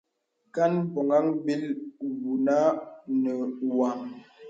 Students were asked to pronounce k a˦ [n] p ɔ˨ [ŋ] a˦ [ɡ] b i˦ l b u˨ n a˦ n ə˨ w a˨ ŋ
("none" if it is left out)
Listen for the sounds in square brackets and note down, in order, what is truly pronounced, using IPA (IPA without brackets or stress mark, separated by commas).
n, ŋ, ŋ